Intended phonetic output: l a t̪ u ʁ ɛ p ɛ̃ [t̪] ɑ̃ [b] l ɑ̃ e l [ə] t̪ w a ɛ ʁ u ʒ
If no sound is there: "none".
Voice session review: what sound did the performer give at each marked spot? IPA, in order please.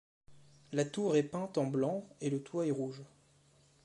t̪, b, ə

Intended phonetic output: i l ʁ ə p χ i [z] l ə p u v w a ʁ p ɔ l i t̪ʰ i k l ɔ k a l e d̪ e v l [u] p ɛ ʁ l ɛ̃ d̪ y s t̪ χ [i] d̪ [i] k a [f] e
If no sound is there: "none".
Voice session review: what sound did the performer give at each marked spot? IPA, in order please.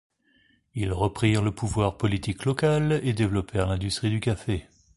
ʁ, ɔ, i, y, f

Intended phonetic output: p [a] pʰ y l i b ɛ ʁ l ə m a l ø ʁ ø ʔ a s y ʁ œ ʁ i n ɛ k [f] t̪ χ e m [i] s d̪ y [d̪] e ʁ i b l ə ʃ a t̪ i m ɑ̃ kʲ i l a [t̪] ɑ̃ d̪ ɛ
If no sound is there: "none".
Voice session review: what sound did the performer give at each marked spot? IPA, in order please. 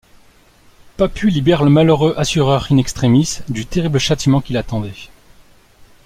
a, s, i, t̪, t̪

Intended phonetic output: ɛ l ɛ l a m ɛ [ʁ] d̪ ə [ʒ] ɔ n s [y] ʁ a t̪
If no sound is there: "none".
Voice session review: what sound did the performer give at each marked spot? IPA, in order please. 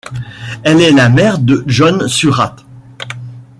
ʁ, ʒ, y

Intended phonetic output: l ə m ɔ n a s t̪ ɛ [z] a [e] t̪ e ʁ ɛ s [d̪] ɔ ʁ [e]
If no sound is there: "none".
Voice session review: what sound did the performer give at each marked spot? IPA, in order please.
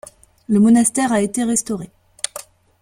ʁ, e, t̪, e

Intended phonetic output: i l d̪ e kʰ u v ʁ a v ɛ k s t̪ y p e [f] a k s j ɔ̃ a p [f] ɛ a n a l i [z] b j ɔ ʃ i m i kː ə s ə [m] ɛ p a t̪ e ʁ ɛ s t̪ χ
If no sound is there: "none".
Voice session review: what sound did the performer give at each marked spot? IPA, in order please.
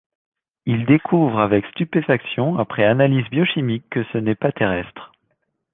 f, χ, z, n

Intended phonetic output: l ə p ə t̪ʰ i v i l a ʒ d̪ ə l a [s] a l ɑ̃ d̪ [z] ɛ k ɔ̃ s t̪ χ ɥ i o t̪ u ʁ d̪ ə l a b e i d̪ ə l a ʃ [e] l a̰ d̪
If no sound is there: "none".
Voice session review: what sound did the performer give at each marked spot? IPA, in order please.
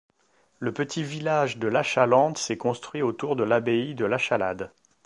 ʃ, s, a

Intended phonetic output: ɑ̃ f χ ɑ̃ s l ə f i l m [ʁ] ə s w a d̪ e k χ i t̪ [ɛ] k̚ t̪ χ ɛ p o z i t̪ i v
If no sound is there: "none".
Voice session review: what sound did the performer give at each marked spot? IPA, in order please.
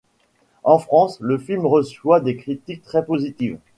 ʁ, i

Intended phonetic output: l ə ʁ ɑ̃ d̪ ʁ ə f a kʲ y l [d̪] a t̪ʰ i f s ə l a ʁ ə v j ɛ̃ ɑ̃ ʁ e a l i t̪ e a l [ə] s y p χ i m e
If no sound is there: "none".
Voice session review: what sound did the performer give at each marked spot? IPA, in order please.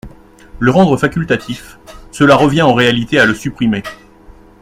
t̪, ə

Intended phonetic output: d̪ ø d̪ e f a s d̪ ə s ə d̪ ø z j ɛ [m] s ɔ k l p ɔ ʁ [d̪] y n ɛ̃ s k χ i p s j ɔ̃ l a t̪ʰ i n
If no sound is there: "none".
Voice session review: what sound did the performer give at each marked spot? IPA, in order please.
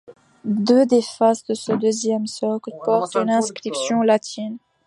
m, t̪

